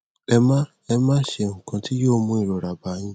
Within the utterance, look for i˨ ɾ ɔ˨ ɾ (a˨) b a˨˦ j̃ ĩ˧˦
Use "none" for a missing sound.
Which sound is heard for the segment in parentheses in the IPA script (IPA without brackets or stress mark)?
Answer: a˨